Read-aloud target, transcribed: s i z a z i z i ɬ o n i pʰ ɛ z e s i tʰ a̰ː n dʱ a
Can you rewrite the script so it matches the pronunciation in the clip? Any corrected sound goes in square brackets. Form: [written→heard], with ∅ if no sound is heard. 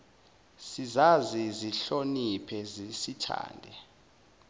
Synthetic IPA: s i z a z i z i ɬ o n i pʰ ɛ z [e→i] s i tʰ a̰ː n dʱ [a→ɛ]